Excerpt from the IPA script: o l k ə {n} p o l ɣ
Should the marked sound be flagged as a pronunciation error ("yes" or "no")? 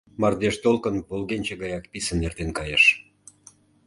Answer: no